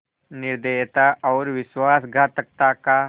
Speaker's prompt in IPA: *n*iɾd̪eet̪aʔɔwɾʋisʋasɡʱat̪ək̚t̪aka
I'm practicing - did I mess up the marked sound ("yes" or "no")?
no